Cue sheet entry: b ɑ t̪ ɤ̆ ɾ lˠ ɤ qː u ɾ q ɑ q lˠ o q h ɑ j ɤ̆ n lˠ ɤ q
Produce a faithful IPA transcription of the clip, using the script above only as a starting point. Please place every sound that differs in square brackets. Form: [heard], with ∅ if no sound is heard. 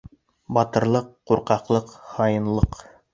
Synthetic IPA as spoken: b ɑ t̪ ɤ̆ ɾ lˠ ɤ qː u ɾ q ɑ q lˠ [ɤ] q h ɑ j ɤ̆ n lˠ ɤ q